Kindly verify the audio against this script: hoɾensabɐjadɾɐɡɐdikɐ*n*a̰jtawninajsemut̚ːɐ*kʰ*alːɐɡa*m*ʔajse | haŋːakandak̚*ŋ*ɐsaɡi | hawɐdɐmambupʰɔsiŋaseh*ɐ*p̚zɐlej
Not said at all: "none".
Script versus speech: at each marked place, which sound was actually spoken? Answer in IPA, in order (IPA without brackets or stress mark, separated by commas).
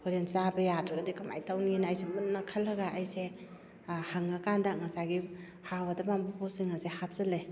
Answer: m, kʰ, none, ŋ, a